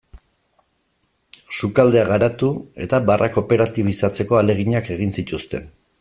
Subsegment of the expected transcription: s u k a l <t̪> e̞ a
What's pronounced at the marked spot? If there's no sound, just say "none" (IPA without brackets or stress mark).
d̪